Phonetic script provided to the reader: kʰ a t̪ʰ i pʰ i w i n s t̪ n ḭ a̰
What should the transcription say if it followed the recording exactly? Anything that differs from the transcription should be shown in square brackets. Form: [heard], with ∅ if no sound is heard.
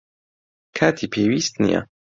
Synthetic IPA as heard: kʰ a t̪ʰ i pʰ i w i [∅] s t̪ n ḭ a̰